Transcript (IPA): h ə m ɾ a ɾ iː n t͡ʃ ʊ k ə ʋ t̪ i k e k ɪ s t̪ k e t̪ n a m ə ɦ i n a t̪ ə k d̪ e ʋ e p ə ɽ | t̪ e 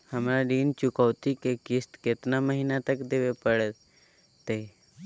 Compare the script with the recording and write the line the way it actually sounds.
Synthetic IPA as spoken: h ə m ɾ a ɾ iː n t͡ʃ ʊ k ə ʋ t̪ i k e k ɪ s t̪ k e t̪ n a m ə ɦ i n a t̪ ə k d̪ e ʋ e p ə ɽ | t̪ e

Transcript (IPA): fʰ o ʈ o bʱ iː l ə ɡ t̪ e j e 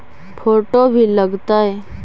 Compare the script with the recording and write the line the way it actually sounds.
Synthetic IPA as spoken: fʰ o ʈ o bʱ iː l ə ɡ t̪ a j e

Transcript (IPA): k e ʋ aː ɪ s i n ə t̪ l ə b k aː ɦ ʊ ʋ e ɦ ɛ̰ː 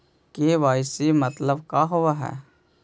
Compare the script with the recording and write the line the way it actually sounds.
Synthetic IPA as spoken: k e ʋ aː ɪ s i m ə t̪ l ə b k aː ɦ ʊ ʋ a ɦ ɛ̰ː

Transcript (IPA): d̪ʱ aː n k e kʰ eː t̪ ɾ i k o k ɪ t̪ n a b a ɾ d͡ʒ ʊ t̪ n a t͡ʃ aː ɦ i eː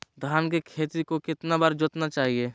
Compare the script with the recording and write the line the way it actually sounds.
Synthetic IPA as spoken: d̪ʱ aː n k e kʰ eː t̪ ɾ i k o k ɪ t̪ n a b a ɾ d͡ʒ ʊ t̪ n a t͡ʃ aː ɦ i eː

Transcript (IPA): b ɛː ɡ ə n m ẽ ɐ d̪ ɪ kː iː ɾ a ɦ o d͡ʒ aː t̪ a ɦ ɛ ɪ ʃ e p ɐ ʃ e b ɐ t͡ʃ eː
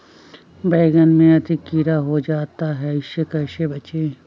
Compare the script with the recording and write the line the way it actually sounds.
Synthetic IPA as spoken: b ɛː ɡ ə n m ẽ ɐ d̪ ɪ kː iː ɾ a ɦ o d͡ʒ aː t̪ a ɦ ɛ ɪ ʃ e k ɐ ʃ e b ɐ t͡ʃ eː

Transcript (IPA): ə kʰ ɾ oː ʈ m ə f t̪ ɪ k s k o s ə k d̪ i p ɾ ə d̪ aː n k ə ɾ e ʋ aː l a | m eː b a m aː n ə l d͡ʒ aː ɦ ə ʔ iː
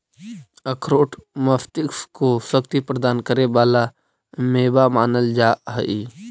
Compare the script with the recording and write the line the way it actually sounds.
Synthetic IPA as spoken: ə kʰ ɾ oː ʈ m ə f t̪ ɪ k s k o s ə k t̪ i p ɾ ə d̪ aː n k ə ɾ e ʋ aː l a | m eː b a m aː n ə l d͡ʒ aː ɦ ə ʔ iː

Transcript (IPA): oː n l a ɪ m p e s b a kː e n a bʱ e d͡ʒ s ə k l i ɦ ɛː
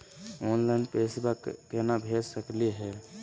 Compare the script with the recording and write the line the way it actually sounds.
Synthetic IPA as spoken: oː n l a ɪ n p e s b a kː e n a bʱ e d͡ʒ s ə k l i ɦ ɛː

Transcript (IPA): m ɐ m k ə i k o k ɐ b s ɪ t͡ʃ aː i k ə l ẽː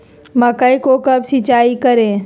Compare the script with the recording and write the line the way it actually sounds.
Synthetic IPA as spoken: m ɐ k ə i k o k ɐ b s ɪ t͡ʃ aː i k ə ɾ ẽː

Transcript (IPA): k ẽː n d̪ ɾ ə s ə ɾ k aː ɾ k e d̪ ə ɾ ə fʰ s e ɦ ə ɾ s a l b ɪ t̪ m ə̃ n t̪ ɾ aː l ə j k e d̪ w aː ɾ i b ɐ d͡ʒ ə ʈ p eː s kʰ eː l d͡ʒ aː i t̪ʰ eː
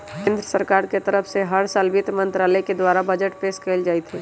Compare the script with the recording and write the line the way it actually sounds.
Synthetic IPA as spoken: k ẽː n d̪ ɾ ə s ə ɾ k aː ɾ k e t̪ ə ɾ ə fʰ s e ɦ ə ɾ s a l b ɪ t̪ m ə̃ n t̪ ɾ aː l ə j k e d̪ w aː ɾ a b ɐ d͡ʒ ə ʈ p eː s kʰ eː l d͡ʒ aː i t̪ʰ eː

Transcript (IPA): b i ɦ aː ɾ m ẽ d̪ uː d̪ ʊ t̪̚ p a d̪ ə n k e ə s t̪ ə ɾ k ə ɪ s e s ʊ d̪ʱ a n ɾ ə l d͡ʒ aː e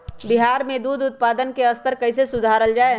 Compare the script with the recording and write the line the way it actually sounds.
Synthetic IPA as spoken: b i ɦ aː ɾ m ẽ d̪ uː d̪ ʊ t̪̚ p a d̪ ə n k e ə s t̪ ə ɾ k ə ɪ s e s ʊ d̪ʱ a ɾ ə l d͡ʒ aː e

